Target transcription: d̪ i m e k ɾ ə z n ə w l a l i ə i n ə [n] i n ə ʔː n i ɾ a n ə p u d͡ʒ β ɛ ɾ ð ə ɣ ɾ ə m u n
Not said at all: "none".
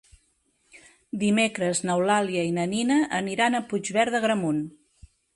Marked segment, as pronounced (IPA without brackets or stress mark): n